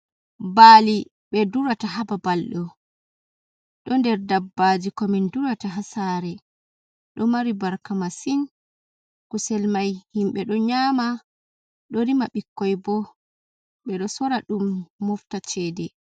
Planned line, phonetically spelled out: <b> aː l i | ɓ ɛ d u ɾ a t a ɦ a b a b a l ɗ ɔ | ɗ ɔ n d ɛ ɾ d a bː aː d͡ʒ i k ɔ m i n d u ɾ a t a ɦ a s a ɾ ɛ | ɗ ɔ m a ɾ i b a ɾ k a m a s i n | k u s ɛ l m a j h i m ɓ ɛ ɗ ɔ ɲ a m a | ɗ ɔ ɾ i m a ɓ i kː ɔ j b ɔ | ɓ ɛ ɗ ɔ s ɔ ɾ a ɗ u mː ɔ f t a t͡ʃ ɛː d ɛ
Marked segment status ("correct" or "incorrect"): correct